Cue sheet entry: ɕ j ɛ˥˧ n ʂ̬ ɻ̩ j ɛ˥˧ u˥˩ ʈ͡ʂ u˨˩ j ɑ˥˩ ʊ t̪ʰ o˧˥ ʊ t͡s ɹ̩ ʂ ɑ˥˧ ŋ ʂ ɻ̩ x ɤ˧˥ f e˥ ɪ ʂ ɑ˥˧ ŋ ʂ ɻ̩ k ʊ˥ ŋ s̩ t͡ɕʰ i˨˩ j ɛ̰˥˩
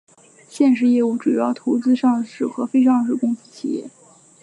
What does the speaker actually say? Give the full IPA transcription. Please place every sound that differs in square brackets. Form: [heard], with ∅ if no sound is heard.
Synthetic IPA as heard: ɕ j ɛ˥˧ n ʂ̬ ɻ̩ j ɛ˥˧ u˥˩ ʈ͡ʂ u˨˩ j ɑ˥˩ ʊ t̪ʰ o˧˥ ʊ t͡s ɹ̩ ʂ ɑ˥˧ ŋ ʂ ɻ̩ x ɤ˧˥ f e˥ ɪ ʂ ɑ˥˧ ŋ ʂ ɻ̩ k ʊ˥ ŋ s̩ t͡ɕʰ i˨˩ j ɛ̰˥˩